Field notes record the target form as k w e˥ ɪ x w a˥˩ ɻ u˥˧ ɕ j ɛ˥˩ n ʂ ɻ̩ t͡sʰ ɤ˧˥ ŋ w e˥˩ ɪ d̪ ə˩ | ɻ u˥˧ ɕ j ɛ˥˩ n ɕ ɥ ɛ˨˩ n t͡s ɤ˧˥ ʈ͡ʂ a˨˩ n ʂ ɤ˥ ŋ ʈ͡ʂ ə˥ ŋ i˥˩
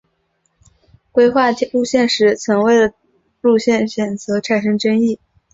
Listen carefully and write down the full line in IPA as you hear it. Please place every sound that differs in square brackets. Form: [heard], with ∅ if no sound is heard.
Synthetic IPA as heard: k w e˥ ɪ x w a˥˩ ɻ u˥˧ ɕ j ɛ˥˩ n ʂ ɻ̩ t͡sʰ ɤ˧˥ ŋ w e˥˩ ɪ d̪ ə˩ | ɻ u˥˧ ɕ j ɛ˥˩ n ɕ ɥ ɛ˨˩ n t͡s ɤ˧˥ [ʈ͡ʂʰ] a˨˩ n ʂ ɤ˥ ŋ ʈ͡ʂ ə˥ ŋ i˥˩